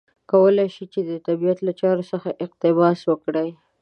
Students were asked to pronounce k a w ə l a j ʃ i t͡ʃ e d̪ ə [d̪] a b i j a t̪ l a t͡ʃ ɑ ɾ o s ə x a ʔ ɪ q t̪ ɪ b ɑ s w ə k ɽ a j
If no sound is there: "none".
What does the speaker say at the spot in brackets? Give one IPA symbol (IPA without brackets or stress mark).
t̪